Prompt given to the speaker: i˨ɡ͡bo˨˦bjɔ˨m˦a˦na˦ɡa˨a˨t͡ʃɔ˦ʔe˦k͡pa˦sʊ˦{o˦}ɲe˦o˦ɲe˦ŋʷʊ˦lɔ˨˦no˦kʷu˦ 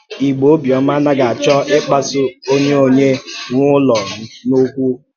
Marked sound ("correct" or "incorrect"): correct